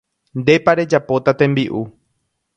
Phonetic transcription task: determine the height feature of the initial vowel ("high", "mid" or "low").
mid